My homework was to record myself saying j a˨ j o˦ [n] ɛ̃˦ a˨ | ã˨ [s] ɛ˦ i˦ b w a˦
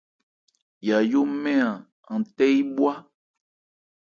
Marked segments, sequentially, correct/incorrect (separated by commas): incorrect, incorrect